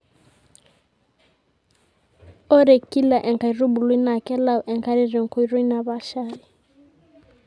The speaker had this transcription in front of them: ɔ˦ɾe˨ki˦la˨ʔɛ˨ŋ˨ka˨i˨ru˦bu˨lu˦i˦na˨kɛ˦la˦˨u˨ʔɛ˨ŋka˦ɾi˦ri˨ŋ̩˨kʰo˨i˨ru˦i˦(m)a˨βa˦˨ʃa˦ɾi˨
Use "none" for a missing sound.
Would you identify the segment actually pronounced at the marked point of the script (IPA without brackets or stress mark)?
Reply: n